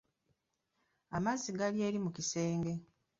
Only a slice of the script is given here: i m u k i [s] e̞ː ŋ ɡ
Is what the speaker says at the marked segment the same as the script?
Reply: yes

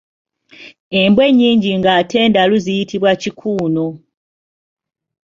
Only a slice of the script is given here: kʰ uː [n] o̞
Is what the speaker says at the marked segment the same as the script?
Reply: yes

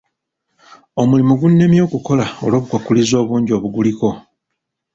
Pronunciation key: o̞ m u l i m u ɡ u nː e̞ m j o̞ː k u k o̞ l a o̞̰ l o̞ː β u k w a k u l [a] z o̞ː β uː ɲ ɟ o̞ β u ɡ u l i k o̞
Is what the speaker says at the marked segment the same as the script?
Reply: no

